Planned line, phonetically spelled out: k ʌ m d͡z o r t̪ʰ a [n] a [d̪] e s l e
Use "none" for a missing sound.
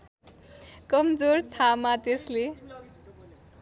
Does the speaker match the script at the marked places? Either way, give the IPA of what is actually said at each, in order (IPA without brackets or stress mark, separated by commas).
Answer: m, t̪